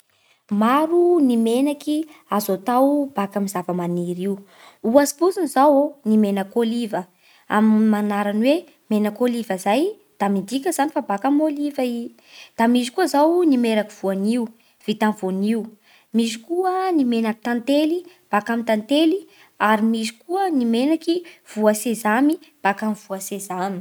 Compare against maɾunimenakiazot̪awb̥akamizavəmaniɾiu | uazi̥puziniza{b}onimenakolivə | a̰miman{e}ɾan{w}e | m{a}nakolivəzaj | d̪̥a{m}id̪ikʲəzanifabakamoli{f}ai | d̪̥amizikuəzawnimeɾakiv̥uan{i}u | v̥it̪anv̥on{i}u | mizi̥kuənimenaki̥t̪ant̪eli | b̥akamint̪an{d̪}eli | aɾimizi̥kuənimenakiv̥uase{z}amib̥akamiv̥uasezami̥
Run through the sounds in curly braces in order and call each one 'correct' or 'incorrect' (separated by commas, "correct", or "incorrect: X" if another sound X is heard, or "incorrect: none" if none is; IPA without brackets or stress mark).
incorrect: w, incorrect: a, correct, incorrect: e, correct, incorrect: v, correct, correct, incorrect: t̪, correct